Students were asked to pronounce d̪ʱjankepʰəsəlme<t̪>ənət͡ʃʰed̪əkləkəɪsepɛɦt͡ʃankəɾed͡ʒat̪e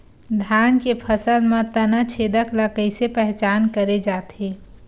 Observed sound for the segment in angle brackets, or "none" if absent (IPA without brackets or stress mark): t̪